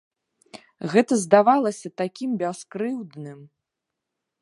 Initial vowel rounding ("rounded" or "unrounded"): unrounded